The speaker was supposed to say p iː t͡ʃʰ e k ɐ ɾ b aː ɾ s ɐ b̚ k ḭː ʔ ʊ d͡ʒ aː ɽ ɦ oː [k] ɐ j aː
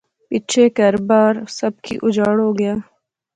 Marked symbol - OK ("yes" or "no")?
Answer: no